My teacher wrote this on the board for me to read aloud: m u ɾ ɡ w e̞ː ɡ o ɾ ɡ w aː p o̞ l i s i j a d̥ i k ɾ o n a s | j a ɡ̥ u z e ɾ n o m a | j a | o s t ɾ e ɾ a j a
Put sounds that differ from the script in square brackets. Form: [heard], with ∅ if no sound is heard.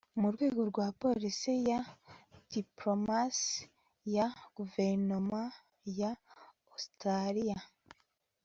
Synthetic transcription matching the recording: m u ɾ ɡ w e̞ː ɡ o ɾ ɡ w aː p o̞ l i s i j a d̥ i [p] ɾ o [m] a s | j a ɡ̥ u [v] e ɾ n o m a | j a | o s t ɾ [a] ɾ [i] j a

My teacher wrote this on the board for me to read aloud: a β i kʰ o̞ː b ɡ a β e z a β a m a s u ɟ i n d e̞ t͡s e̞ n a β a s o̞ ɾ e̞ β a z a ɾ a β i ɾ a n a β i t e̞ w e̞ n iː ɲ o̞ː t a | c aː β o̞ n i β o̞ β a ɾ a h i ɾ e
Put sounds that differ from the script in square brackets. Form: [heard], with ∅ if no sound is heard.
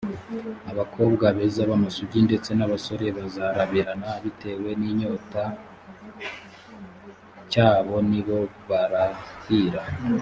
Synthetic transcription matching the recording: a β [a] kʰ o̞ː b ɡ a β e z a β a m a s u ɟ i n d e̞ t͡s e̞ n a β a s o̞ ɾ e̞ β a z a ɾ a β i ɾ a n a β i t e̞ w e̞ n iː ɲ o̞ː t a | c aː β o̞ n i β o̞ β a ɾ a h i ɾ [a]

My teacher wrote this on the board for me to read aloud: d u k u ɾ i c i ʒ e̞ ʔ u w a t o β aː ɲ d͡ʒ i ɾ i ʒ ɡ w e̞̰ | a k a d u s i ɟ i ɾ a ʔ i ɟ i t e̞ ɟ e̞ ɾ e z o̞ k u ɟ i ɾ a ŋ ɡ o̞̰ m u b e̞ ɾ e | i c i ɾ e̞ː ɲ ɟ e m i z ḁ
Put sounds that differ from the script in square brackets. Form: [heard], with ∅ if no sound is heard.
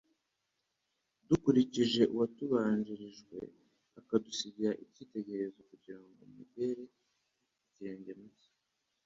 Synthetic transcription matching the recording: d u k u ɾ i c i ʒ e̞ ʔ u w a t [u] β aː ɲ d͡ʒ i ɾ i ʒ ɡ w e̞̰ | a k a d u s i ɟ i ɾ a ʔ i [c] i t e̞ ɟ e̞ ɾ e z o̞ k u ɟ i ɾ a ŋ ɡ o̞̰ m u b e̞ ɾ e | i c i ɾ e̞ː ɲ ɟ e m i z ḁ

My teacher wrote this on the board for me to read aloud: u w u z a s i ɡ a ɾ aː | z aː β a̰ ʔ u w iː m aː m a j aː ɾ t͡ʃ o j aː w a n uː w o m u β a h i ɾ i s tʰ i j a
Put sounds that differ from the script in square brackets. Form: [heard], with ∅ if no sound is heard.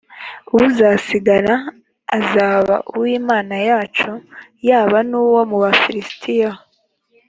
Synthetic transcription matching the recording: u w u z a s i ɡ a ɾ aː | z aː β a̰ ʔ u w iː m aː [n] a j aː [∅] t͡ʃ o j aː [β] a n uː w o m u β a [f] i ɾ i s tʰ i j a

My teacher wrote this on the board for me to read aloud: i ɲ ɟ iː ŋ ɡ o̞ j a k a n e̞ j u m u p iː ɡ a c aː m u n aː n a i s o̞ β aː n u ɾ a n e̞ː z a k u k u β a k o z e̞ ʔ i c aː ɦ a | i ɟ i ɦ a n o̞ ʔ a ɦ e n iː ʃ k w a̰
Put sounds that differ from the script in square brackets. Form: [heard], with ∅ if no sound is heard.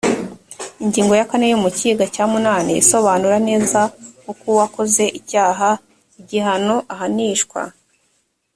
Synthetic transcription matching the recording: i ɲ ɟ iː ŋ ɡ o̞ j a k a n e̞ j u m u [c] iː ɡ a c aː m u n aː n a i s o̞ β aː n u ɾ a n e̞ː z a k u k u [w] a k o z e̞ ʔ i c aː ɦ a | i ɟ i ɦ a n o̞ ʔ a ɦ [a] n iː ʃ k w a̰

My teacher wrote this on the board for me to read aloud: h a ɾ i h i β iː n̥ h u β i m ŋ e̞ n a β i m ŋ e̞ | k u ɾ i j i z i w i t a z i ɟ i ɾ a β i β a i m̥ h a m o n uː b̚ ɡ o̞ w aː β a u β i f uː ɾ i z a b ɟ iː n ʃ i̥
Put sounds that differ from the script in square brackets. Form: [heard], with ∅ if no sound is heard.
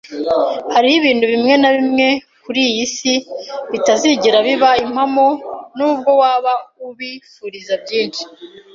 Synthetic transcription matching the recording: h a ɾ i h i β iː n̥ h u β i m ŋ e̞ n a β i m ŋ e̞ | k u ɾ i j i [s] i [β] i t a z i ɟ i ɾ a β i β a i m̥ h a m o n uː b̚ ɡ o̞ w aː β a u β i f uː ɾ i z a b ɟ iː n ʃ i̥

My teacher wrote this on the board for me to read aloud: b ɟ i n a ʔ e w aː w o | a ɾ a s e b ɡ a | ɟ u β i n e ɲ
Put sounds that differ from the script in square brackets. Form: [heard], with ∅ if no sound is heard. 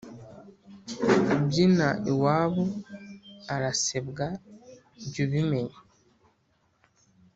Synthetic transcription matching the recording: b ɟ i n a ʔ [i] w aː [β] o | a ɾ a s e b ɡ a | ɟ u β i [m] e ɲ

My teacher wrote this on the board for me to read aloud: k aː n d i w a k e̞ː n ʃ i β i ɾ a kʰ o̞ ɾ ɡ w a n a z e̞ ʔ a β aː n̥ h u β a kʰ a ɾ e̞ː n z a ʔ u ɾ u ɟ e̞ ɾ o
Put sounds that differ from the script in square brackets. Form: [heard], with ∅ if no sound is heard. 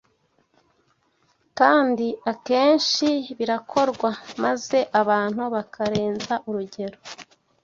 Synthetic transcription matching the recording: k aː n d i [∅] a k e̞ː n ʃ i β i ɾ a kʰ o̞ ɾ ɡ w a [m] a z e̞ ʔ a β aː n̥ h u β a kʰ a ɾ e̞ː n z a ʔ u ɾ u ɟ e̞ ɾ o

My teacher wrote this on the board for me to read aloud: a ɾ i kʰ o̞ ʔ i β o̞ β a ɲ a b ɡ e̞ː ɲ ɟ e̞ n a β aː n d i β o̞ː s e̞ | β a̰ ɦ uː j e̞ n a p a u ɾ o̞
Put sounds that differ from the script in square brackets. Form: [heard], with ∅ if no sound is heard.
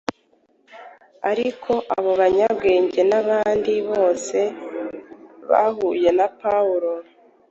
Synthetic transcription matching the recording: a ɾ i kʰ o̞ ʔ [a] β o̞ β a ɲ a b ɡ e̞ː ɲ ɟ e̞ n a β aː n d i β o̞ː s e̞ | β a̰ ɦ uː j e̞ n a p a u ɾ o̞

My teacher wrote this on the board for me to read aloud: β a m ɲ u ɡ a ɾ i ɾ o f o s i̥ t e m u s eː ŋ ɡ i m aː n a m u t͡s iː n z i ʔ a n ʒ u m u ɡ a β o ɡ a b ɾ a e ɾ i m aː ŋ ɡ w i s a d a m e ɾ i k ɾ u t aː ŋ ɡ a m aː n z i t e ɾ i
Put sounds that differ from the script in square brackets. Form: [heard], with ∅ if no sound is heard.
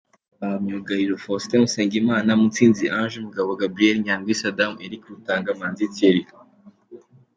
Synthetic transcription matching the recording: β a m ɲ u ɡ a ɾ i ɾ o f o s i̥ t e m u s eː ŋ ɡ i m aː n a m u t͡s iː n z i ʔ a n ʒ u m u ɡ a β o ɡ a b ɾ [i] e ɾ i [ɲ] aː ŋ ɡ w i s a d a m e ɾ i k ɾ u t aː ŋ ɡ a m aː n z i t e ɾ i

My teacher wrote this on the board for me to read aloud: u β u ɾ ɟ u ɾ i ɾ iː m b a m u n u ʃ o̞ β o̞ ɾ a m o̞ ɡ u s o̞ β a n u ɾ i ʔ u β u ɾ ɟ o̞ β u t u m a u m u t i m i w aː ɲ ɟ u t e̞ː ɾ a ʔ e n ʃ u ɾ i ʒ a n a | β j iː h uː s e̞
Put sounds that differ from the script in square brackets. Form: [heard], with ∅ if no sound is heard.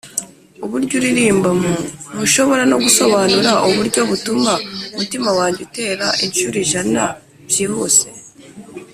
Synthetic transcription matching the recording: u β u ɾ ɟ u ɾ i ɾ iː m b a m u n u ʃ o̞ β o̞ ɾ a [n] o̞ ɡ u s o̞ β a n u ɾ [a] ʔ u β u ɾ ɟ o̞ β u t u m a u m u t i m [a] w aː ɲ ɟ u t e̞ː ɾ a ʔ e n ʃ u ɾ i ʒ a n a | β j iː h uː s e̞

